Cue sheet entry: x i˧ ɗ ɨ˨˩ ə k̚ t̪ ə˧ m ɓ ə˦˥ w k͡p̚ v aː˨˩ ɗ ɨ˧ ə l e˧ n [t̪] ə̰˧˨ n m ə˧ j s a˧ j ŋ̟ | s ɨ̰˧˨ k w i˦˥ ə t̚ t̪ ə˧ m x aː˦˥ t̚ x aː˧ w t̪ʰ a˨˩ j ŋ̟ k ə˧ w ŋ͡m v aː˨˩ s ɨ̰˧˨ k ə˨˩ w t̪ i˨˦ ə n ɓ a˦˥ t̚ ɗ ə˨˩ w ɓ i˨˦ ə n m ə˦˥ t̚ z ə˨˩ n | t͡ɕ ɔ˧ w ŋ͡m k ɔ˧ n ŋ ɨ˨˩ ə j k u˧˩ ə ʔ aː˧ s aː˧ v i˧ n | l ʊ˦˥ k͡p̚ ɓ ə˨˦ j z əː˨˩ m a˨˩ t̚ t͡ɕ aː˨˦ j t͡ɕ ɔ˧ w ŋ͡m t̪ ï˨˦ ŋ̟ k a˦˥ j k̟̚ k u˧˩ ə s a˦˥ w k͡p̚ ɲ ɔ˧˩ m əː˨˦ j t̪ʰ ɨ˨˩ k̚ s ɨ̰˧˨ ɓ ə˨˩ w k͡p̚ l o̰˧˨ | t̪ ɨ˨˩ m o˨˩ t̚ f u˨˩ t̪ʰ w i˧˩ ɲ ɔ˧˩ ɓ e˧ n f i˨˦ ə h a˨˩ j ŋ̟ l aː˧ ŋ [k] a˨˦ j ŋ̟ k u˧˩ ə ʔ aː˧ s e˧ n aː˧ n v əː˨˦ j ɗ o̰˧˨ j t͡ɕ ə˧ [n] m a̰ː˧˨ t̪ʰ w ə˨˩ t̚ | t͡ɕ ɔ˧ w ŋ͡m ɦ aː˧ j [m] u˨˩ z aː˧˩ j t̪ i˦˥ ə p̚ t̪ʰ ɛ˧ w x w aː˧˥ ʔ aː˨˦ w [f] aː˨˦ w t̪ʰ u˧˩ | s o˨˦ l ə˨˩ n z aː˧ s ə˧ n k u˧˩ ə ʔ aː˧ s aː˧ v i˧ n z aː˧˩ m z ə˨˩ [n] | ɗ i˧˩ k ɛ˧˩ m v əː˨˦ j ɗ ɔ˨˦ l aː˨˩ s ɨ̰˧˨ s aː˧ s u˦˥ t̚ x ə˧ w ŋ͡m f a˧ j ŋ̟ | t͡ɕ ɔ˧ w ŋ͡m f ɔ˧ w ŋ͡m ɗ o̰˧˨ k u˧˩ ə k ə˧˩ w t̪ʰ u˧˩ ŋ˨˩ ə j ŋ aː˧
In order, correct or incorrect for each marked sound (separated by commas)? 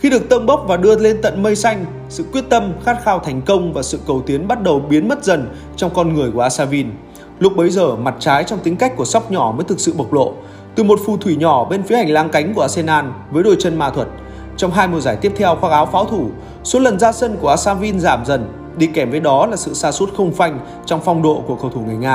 correct, correct, correct, correct, correct, correct